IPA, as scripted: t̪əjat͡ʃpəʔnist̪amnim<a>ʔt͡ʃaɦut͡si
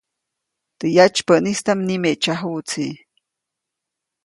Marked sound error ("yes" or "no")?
yes